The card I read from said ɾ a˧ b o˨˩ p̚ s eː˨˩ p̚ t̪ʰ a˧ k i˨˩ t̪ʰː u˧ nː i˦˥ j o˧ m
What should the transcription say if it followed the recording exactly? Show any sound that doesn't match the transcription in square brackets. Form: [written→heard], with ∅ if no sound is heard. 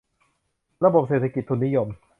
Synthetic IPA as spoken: ɾ a˧ b o˨˩ p̚ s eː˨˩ [p̚→∅] t̪ʰ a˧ k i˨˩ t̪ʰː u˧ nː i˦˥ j o˧ m